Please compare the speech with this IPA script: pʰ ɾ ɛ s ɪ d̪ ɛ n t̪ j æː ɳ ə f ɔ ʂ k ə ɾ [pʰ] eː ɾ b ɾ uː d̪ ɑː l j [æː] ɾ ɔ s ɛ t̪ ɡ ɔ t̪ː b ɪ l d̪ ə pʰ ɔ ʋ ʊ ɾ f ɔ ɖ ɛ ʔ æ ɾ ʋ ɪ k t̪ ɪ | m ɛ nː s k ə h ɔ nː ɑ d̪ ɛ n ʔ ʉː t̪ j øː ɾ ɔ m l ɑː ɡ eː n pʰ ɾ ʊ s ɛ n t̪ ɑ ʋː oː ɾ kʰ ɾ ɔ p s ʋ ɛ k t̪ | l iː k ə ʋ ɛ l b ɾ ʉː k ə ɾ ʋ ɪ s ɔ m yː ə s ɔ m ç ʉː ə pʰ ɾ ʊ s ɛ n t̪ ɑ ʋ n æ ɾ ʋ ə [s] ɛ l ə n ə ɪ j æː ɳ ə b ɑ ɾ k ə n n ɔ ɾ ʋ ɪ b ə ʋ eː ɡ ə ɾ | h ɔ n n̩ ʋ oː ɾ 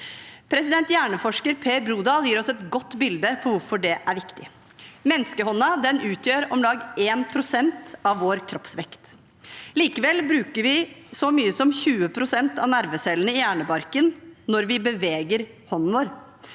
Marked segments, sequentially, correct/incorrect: correct, incorrect: iː, correct

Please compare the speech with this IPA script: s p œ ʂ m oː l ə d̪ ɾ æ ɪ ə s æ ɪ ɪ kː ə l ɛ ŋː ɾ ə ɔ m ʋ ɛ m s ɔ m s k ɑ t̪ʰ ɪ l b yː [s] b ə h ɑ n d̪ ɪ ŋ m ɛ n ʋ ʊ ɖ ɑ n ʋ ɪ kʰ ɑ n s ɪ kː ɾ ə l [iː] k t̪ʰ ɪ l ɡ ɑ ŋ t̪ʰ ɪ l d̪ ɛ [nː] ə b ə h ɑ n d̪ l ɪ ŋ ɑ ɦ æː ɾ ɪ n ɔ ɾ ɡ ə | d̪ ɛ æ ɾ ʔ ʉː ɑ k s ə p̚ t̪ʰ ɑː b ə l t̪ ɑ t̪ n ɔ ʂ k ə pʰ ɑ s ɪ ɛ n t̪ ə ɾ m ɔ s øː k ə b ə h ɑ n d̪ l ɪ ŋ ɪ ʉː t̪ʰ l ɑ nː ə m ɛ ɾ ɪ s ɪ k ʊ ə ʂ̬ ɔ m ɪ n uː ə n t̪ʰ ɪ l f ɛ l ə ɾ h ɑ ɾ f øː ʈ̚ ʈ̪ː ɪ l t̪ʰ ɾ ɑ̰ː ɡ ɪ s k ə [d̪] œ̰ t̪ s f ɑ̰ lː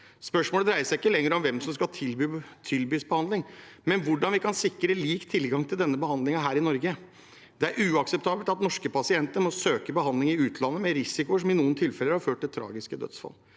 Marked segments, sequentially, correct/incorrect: correct, correct, correct, correct

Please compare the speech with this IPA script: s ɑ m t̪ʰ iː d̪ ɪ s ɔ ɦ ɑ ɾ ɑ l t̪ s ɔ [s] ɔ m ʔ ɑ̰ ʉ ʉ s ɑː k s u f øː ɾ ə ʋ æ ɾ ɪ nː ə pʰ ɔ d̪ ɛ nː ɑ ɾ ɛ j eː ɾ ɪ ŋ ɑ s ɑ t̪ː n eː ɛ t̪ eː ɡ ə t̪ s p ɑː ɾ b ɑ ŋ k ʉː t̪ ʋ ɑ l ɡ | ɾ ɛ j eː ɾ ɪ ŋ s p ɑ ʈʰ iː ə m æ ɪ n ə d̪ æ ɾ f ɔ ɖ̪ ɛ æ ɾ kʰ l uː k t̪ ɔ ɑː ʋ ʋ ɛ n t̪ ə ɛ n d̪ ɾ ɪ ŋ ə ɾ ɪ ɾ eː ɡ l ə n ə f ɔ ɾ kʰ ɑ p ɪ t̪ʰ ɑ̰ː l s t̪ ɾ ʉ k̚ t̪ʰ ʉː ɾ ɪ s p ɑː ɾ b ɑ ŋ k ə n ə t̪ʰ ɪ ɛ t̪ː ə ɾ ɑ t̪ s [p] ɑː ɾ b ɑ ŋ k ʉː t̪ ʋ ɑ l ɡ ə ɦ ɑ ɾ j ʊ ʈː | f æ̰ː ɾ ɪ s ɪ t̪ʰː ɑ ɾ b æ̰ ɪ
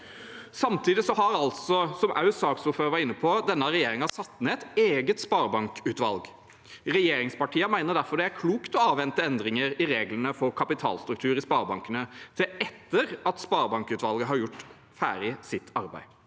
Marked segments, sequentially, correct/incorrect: correct, correct

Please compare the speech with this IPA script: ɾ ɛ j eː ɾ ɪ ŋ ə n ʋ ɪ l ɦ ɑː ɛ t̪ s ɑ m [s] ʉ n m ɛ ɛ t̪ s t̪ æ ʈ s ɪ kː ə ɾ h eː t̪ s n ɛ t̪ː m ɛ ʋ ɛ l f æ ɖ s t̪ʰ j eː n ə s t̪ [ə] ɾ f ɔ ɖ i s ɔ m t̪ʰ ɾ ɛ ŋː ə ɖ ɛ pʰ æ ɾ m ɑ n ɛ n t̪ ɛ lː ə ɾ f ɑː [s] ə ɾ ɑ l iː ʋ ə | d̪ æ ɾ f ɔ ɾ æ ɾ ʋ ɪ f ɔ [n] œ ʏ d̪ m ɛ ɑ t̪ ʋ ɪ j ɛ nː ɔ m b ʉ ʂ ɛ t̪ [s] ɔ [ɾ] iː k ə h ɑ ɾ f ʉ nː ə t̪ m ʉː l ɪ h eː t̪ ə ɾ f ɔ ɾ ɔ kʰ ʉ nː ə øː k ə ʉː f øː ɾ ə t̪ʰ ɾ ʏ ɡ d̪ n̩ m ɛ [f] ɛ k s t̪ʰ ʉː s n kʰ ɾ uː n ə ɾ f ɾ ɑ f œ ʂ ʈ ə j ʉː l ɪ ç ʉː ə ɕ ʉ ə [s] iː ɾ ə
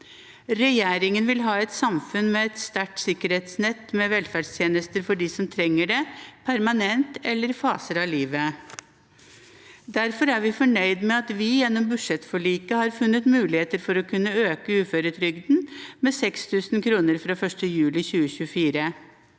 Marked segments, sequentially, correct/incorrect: incorrect: f, correct, correct, incorrect: ɳ, incorrect: f, incorrect: ɭ, incorrect: s, incorrect: f

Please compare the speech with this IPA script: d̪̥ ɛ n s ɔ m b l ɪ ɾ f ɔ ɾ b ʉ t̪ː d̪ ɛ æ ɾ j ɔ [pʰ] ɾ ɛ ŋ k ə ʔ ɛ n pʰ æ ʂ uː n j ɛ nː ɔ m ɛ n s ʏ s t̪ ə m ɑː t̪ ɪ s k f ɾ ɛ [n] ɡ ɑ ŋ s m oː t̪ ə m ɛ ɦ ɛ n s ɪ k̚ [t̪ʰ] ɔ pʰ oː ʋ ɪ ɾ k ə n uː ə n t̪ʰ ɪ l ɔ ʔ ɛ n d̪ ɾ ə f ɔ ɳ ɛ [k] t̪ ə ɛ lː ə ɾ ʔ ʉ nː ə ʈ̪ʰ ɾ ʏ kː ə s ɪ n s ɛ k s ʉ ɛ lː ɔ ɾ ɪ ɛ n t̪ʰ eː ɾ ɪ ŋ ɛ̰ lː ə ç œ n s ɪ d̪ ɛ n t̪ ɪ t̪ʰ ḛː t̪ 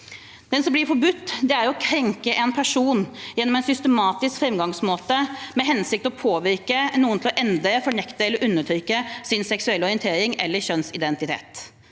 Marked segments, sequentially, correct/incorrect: incorrect: kʰ, incorrect: m, incorrect: t̪, correct

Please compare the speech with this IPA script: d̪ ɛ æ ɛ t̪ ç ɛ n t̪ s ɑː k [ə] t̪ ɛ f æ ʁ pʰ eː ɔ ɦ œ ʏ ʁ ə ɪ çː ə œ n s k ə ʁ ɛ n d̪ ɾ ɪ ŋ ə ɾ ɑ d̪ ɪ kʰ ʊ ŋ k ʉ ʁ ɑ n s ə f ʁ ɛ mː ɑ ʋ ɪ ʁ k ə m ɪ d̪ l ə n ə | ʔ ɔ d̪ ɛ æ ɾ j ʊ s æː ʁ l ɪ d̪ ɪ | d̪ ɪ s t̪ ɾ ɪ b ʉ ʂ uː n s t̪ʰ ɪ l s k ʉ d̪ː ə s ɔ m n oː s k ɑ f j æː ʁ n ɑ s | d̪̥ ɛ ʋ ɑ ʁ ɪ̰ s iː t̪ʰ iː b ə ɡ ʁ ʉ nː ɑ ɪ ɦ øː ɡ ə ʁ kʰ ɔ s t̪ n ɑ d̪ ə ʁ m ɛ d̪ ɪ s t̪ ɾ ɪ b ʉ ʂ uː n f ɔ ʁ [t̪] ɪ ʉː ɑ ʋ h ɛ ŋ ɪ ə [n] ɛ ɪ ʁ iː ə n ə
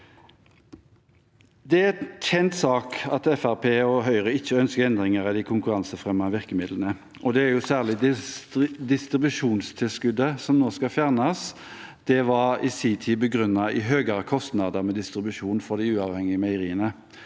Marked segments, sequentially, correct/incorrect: incorrect: ɑ, incorrect: d̪, incorrect: m

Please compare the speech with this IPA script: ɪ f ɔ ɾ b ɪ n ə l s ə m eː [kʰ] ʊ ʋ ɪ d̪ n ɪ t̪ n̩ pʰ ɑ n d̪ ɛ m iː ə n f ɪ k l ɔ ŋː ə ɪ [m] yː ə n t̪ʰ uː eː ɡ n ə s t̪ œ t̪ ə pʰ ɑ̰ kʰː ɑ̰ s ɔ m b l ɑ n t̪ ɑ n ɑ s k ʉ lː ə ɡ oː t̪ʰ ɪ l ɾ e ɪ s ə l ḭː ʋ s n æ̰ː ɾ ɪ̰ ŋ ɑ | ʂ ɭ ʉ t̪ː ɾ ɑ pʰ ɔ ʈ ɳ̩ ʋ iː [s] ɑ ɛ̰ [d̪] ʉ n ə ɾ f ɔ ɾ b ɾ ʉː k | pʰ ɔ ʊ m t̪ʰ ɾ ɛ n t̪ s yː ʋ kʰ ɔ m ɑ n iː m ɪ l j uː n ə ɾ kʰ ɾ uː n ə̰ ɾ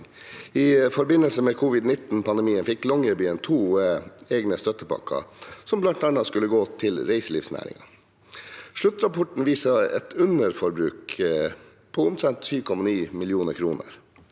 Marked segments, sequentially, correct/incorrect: correct, incorrect: b, correct, incorrect: t̪

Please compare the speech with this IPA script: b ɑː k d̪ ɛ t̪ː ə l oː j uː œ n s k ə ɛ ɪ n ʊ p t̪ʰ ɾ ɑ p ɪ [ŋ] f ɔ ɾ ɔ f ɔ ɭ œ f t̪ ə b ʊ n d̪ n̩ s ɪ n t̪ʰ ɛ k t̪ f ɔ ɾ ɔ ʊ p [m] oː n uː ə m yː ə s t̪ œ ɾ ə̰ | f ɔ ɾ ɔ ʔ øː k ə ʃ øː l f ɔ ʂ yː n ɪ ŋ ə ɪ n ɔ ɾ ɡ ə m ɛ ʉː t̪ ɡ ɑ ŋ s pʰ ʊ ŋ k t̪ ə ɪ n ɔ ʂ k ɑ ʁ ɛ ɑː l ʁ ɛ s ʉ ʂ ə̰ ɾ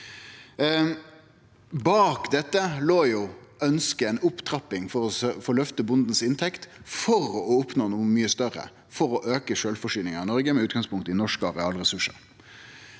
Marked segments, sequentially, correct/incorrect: correct, incorrect: n

